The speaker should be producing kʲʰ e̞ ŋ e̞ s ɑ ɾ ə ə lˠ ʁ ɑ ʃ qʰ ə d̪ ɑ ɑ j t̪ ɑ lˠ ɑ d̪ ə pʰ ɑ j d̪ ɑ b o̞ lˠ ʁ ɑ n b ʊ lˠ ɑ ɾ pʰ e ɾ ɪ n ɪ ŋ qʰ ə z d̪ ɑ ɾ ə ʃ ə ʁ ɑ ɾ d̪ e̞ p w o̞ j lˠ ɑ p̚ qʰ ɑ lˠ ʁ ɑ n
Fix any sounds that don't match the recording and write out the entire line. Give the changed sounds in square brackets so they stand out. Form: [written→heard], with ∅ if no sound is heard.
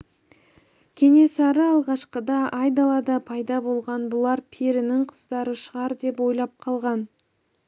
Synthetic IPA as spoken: kʲʰ e̞ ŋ e̞ s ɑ ɾ ə [ə→ɑ] lˠ ʁ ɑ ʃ [qʰ→q] ə d̪ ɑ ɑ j [t̪→d̪] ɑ lˠ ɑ d̪ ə pʰ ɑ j d̪ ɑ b o̞ lˠ ʁ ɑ n b ʊ lˠ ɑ ɾ pʰ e ɾ ɪ n ɪ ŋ qʰ ə z d̪ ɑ ɾ ə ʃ ə ʁ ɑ ɾ d̪ e̞ p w o̞ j lˠ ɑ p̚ qʰ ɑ lˠ ʁ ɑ n